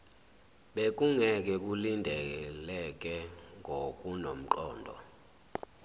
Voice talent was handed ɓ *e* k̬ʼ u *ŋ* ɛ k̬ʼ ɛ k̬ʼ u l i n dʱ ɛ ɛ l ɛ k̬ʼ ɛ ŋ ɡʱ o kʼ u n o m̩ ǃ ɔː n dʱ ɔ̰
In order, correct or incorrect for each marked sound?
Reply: correct, correct

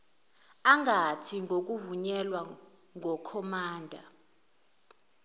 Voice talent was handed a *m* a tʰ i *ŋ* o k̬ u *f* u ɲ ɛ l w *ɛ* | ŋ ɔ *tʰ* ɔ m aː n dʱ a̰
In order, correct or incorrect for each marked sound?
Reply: incorrect: ŋ, correct, incorrect: v, incorrect: a, incorrect: kʰ

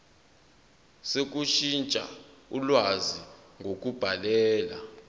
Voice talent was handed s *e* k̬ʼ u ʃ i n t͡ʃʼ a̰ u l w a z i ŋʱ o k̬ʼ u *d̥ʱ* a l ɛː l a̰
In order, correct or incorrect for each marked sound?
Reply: correct, incorrect: b̥ʱ

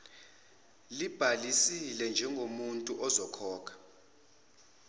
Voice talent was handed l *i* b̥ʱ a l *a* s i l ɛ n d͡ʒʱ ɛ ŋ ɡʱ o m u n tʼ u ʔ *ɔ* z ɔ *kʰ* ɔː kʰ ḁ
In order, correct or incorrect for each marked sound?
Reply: correct, incorrect: i, correct, correct

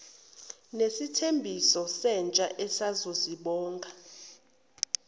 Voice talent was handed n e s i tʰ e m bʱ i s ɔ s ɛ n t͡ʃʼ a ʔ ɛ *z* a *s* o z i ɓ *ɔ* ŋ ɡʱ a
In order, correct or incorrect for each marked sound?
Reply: incorrect: s, incorrect: z, incorrect: ɔː

